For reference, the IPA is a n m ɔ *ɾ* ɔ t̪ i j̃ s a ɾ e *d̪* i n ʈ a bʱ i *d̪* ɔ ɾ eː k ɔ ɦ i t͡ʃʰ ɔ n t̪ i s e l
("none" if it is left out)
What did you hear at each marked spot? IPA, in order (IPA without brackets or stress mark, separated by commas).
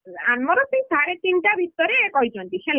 ɾ, t̪, t̪